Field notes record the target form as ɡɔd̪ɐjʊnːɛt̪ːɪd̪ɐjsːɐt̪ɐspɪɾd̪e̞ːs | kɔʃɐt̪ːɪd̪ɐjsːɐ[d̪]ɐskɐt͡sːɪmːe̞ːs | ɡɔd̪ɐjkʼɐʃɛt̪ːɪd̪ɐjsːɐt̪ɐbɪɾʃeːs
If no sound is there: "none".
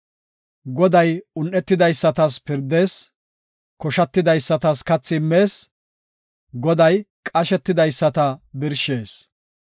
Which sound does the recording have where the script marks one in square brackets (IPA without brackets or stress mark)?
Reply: t̪